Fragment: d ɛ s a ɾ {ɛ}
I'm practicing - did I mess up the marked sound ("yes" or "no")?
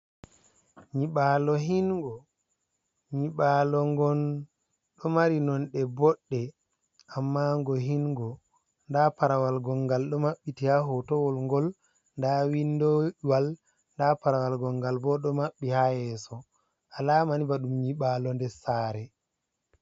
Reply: no